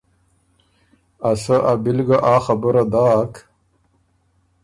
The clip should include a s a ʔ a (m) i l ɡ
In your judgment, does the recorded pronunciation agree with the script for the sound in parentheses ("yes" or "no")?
no